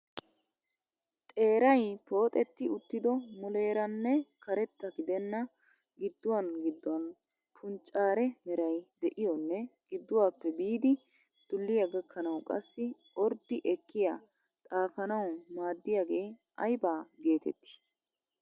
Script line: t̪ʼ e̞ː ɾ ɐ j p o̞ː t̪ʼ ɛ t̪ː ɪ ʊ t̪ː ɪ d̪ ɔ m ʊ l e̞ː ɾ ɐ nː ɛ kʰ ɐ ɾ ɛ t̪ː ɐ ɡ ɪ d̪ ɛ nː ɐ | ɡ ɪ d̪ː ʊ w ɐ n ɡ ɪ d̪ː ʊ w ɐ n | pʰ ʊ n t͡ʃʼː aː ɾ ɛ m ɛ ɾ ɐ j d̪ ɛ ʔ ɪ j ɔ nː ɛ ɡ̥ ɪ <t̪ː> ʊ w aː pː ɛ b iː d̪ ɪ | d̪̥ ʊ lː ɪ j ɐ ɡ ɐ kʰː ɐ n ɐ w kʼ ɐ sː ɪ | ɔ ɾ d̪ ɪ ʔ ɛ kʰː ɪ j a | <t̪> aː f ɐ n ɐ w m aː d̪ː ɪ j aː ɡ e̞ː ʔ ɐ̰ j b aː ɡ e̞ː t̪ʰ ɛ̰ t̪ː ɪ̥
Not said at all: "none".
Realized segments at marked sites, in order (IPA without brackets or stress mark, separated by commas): d̪ː, t̪ʼ